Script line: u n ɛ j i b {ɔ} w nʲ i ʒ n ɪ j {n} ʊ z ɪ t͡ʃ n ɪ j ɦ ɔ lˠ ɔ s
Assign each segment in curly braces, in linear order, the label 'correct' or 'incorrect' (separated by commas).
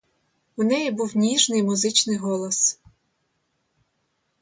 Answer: incorrect, incorrect